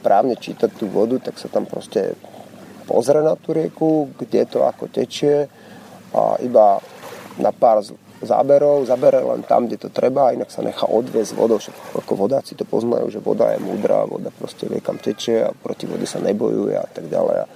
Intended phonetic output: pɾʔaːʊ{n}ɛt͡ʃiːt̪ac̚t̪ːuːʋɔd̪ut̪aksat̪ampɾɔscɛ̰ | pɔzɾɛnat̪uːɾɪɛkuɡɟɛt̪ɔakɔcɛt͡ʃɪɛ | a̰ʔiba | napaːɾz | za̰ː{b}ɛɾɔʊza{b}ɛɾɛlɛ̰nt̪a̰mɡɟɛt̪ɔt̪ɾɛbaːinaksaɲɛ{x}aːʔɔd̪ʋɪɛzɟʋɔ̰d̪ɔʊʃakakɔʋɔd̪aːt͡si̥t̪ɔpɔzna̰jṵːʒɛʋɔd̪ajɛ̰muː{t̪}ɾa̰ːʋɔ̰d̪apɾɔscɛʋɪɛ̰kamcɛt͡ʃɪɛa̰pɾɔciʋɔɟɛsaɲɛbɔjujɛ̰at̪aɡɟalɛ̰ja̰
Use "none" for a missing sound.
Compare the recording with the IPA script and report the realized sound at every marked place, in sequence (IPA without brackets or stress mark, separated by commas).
ɲ, b, b, x, d̪